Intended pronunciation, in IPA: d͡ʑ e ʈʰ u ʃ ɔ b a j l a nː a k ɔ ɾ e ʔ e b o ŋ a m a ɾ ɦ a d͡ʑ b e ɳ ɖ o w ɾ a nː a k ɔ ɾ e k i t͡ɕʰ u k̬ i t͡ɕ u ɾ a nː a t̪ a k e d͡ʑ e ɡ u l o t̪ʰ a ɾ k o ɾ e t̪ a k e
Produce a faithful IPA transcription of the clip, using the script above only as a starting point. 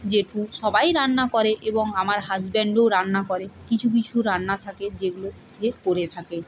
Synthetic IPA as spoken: d͡ʑ e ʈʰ u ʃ ɔ b a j ɾ a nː a k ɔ ɾ e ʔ e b o ŋ a m a ɾ ɦ a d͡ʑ b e ɳ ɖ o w ɾ a nː a k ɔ ɾ e k i t͡ɕʰ u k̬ i t͡ɕʰ u ɾ a nː a t̪ʰ a k e d͡ʑ e ɡ u l o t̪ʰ e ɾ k o ɾ e t̪ʰ a k e

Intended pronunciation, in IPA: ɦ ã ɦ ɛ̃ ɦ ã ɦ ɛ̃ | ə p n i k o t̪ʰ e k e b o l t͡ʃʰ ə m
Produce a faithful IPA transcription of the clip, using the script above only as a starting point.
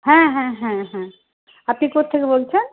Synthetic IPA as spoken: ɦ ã ɦ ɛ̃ ɦ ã ɦ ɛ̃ | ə p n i k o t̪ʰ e k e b o l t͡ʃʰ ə n

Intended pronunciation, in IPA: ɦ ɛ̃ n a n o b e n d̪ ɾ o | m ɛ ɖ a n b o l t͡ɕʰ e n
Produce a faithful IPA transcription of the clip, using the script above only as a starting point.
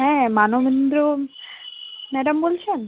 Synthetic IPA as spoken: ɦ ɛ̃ m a n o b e n d̪ ɾ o | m ɛ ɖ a m b o l t͡ɕʰ e n

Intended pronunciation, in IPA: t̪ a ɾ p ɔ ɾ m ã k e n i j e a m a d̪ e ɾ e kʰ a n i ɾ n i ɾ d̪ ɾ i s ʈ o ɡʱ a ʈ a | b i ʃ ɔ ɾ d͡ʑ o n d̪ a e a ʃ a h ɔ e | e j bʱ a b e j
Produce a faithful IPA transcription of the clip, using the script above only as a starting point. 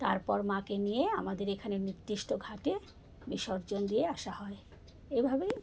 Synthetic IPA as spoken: t̪ a ɾ p ɔ ɾ m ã k e n i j e a m a d̪ e ɾ e kʰ a n e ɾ n i ɾ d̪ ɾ i ʃ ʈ o ɡʱ a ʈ e | b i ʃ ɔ ɾ d͡ʑ o n d̪ i e a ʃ a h ɔ e | e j bʱ a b e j

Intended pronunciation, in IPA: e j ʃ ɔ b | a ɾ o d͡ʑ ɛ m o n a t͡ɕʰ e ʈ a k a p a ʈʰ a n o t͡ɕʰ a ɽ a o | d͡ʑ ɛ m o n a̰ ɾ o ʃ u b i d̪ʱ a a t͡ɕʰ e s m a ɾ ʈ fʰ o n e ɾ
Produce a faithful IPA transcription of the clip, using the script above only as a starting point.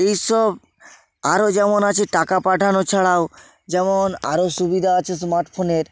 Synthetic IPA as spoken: e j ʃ ɔ b | a ɾ o d͡ʑ ɛ m o n a t͡ɕʰ e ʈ a k a p a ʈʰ a n o t͡ɕʰ a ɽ a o | d͡ʑ ɛ m o n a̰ ɾ o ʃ u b i d̪ʱ a a t͡ɕʰ e s m a ɾ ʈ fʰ o n e ɾ

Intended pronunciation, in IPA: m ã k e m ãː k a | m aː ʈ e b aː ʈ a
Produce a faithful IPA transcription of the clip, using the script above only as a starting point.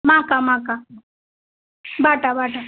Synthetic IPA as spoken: m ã k a m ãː k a | b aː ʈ a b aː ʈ a

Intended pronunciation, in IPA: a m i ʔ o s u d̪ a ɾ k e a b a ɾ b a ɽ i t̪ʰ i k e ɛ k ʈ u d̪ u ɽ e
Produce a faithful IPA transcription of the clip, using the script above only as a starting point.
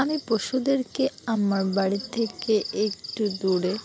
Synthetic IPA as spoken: a m i p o ʃ u d̪ e ɾ k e a m a ɾ b a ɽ i t̪ʰ e k e e k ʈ u d̪ u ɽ e

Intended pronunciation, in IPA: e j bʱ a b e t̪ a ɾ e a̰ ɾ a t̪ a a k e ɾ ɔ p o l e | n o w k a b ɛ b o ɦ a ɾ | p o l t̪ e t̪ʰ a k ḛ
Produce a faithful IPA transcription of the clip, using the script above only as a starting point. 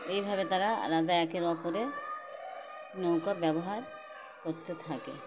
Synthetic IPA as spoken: e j bʱ a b e t̪ a ɾ a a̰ l a d̪ a ɛ k e ɾ ɔ p o ɾ e | n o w k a b ɛ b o ɦ a ɾ | k o ɾ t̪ e t̪ʰ a k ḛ

